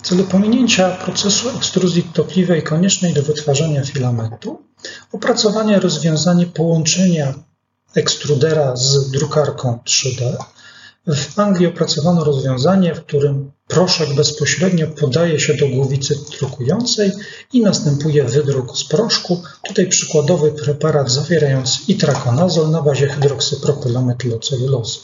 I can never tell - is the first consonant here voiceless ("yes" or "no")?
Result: yes